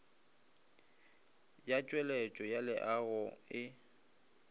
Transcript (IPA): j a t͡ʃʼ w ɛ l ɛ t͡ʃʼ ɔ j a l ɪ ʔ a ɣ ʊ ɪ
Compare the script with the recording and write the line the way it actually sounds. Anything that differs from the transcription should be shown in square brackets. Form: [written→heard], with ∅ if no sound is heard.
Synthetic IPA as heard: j a t͡ʃʼ w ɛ l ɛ t͡ʃʼ ɔ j a l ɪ ʔ a ɣ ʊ ɪ